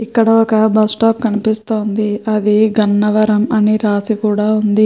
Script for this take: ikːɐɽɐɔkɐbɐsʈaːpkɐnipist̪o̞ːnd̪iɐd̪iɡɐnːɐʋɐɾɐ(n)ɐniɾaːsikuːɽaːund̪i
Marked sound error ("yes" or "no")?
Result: yes